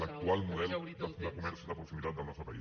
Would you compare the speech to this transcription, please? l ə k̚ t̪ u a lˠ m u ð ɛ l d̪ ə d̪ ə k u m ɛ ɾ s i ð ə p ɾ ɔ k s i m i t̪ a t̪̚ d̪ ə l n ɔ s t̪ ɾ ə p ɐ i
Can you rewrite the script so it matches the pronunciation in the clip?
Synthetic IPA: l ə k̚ t̪ u a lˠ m u ð ɛ l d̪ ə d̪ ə k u m ɛ ɾ s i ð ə p ɾ u k s i m i t̪ a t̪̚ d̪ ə l n ɔ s t̪ ɾ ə p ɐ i